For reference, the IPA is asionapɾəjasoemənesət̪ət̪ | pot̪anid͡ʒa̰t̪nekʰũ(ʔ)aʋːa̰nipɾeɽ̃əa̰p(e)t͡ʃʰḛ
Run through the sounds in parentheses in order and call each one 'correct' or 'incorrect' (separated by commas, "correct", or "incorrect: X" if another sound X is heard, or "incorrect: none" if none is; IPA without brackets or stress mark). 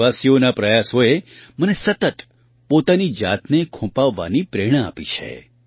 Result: incorrect: p, incorrect: i